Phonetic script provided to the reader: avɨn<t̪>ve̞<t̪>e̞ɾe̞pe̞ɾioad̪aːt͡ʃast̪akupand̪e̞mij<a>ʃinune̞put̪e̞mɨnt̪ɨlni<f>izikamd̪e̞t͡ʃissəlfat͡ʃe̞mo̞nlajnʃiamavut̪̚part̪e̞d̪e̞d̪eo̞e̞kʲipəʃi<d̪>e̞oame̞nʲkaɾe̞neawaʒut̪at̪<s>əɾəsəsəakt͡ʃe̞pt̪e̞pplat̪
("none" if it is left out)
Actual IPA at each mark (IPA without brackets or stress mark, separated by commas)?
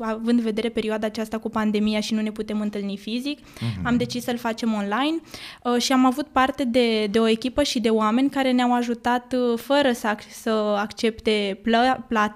d̪, d̪, a, f, d̪, f